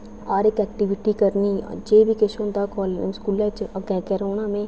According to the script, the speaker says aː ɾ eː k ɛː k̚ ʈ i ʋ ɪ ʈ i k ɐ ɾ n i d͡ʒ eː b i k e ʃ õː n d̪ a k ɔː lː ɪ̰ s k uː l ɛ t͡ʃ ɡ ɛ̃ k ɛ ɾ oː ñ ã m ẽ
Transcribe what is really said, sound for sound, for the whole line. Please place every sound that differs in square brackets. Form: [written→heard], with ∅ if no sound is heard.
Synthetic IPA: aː ɾ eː k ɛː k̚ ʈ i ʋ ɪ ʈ i k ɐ ɾ n i d͡ʒ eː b i k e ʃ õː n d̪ a k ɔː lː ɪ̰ s k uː l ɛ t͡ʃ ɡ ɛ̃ k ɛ ɾ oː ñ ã m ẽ